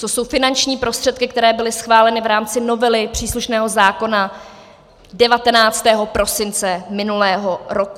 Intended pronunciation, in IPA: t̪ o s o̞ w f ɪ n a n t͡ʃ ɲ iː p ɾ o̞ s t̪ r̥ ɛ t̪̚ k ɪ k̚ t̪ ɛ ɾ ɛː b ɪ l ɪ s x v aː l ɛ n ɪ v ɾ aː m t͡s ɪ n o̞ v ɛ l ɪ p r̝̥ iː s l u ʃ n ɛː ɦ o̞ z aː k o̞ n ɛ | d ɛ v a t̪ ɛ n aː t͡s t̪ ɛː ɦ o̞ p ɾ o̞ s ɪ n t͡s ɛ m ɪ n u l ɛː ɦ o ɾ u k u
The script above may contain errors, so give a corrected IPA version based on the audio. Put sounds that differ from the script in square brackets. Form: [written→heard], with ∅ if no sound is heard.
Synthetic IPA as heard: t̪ o s o̞ w f ɪ n a n t͡ʃ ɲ iː p ɾ o̞ s t̪ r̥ ɛ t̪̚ k ɪ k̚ t̪ ɛ ɾ ɛː b ɪ l ɪ s x v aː l ɛ n ɪ v ɾ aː m t͡s ɪ n o̞ v ɛ l ɪ p r̝̥ iː s l u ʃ n ɛː ɦ o̞ z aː k o̞ n [ɛ→a] | d ɛ v a t̪ ɛ n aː t͡s t̪ ɛː ɦ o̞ p ɾ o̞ s ɪ n t͡s ɛ m ɪ n u l ɛː ɦ o ɾ [u→o] k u